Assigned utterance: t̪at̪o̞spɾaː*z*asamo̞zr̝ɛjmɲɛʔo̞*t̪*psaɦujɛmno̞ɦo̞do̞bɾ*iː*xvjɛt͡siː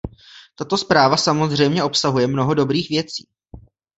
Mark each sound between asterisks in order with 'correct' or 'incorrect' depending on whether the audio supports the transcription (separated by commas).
incorrect, incorrect, correct